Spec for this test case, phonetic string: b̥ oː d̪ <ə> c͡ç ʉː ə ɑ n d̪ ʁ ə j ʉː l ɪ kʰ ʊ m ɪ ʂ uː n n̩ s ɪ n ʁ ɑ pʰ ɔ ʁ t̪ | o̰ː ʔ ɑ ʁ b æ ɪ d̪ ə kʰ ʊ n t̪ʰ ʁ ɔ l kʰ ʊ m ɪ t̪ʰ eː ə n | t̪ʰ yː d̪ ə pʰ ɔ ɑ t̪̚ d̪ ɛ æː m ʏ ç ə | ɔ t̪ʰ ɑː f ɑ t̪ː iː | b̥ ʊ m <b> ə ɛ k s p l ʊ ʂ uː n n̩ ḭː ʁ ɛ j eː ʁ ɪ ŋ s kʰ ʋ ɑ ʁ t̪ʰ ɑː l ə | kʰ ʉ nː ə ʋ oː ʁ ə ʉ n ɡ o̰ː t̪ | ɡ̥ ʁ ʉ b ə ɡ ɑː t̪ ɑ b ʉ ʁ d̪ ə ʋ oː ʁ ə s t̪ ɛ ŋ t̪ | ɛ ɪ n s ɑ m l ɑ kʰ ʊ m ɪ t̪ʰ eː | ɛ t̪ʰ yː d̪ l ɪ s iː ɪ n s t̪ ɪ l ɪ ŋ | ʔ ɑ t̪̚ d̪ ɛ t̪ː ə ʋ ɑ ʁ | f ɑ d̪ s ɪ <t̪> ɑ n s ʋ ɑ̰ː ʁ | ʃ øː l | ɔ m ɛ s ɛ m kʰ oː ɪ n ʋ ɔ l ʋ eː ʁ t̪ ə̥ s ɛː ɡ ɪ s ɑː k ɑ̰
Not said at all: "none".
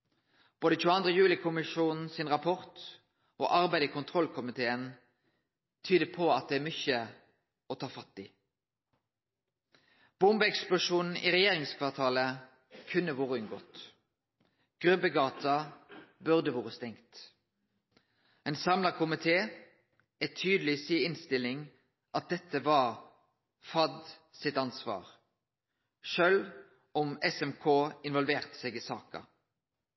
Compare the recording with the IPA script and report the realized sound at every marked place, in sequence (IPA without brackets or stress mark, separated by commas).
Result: ə, b, t̪